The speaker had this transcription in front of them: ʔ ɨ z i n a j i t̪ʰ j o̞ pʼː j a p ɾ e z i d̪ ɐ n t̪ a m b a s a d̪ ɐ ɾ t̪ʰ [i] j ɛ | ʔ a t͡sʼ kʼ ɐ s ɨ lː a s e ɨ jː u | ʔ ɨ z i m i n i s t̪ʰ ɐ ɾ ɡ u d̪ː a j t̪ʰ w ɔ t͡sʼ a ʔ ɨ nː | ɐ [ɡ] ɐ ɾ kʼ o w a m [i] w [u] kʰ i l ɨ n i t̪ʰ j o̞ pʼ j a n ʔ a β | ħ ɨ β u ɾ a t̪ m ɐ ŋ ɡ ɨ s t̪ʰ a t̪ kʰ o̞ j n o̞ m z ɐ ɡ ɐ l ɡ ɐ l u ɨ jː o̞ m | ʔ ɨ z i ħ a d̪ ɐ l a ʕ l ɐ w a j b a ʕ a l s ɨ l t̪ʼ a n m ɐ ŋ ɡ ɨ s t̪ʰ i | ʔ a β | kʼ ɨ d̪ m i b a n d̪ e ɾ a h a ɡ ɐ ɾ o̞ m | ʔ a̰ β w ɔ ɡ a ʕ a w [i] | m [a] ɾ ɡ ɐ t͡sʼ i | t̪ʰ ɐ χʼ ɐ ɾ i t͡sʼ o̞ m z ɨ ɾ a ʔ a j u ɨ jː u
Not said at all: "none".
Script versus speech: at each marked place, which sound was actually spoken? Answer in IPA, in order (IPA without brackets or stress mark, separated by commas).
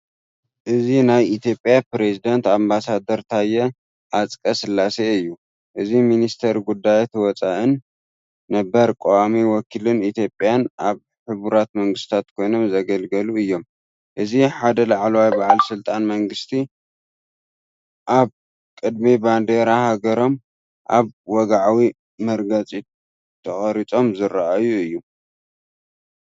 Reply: a, b, i, ɔ, i, ɐ